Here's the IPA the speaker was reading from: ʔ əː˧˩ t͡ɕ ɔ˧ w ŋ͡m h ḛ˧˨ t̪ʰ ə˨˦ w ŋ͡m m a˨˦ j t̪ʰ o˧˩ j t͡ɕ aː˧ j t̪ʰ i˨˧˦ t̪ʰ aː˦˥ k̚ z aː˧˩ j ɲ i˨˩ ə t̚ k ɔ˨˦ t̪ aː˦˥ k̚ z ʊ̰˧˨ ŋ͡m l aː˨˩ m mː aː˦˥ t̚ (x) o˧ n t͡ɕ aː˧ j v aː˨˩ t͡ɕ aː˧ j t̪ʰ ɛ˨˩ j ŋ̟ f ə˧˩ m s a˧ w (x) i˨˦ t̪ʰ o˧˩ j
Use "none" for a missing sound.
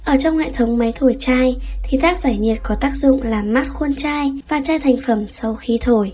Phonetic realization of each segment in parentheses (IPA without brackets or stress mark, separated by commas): x, x